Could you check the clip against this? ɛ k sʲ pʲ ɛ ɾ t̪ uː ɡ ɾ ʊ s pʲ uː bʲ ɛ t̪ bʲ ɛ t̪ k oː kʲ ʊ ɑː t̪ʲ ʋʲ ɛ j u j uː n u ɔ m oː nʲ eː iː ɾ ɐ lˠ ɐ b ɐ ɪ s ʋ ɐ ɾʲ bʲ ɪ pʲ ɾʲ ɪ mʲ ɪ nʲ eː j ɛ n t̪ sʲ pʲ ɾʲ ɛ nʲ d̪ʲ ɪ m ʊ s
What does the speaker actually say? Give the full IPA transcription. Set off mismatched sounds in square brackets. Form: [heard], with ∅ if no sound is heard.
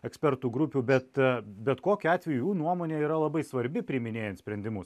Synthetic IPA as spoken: ɛ k sʲ pʲ ɛ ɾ t̪ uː ɡ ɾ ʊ [∅] pʲ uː bʲ ɛ t̪ bʲ ɛ t̪ k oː kʲ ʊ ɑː t̪ʲ ʋʲ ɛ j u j uː n u ɔ m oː nʲ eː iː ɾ ɐ lˠ ɐ b ɐ ɪ s ʋ ɐ ɾʲ bʲ ɪ pʲ ɾʲ ɪ mʲ ɪ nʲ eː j ɛ n t̪ sʲ pʲ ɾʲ ɛ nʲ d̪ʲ ɪ m ʊ s

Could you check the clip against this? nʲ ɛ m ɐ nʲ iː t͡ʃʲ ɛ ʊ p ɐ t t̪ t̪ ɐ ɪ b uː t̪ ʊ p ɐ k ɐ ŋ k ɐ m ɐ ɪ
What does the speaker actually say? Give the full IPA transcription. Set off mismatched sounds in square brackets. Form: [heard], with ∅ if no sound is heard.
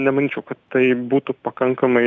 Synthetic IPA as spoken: nʲ ɛ m ɐ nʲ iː t͡ʃʲ ɛ ʊ [k] ɐ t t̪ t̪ ɐ ɪ b uː t̪ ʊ p ɐ k ɐ ŋ k ɐ m ɐ ɪ

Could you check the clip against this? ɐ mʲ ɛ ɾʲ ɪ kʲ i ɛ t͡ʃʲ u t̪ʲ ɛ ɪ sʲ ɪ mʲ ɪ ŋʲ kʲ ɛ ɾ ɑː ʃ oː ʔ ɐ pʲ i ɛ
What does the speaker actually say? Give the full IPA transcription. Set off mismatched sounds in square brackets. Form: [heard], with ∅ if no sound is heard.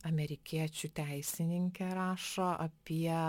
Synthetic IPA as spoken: ɐ mʲ ɛ ɾʲ ɪ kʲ i ɛ t͡ʃʲ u t̪ʲ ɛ ɪ sʲ ɪ [nʲ] ɪ ŋʲ kʲ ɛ ɾ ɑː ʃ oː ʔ ɐ pʲ i ɛ

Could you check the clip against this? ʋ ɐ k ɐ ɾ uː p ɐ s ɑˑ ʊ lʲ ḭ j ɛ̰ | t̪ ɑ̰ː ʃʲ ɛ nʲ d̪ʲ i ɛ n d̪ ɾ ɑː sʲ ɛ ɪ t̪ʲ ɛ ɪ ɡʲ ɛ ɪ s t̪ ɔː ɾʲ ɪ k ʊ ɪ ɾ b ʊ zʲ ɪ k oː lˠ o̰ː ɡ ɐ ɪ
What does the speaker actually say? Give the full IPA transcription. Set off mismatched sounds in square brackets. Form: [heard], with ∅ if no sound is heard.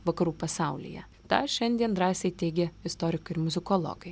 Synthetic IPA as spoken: ʋ ɐ k ɐ ɾ uː p ɐ s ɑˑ ʊ lʲ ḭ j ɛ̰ | t̪ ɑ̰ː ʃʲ ɛ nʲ d̪ʲ i ɛ n d̪ ɾ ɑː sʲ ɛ ɪ t̪ʲ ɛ ɪ ɡʲ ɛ ɪ s t̪ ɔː ɾʲ ɪ k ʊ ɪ ɾ [m] ʊ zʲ ɪ k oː lˠ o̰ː ɡ ɐ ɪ

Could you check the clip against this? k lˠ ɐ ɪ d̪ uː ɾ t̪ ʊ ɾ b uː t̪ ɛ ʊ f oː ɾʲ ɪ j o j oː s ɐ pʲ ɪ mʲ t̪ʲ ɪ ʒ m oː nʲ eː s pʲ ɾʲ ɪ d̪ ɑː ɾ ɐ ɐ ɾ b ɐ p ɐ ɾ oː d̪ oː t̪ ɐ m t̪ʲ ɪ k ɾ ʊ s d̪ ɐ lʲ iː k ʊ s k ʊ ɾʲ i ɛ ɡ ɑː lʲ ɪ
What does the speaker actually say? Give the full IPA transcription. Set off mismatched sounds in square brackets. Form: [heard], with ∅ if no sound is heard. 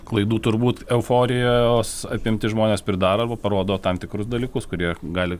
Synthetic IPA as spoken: k lˠ ɐ ɪ d̪ uː [∅] t̪ ʊ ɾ b uː t̪ ɛ ʊ f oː ɾʲ ɪ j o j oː s ɐ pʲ ɪ mʲ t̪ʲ ɪ ʒ m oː nʲ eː s pʲ ɾʲ ɪ d̪ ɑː ɾ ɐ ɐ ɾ b ɐ p ɐ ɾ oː d̪ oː t̪ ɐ m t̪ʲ ɪ k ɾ ʊ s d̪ ɐ lʲ iː k ʊ s k ʊ ɾʲ i ɛ ɡ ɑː lʲ ɪ

